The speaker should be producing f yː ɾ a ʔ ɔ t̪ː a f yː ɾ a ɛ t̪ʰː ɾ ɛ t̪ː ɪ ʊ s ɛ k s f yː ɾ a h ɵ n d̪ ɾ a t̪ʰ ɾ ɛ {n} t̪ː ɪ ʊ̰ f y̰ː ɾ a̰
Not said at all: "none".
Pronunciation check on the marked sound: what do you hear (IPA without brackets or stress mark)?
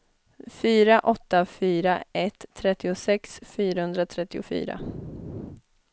none